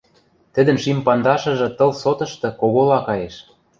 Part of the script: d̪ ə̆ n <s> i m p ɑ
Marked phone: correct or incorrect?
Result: incorrect